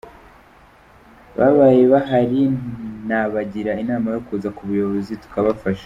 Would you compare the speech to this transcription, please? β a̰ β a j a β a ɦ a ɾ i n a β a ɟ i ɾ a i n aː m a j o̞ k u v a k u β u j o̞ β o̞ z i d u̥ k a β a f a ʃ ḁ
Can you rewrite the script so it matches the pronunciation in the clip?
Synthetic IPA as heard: β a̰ β a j e β a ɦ a ɾ i n a β a ɟ i ɾ a i n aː m a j o̞ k u z a k u β u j o̞ β o̞ z i t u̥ k a β a f a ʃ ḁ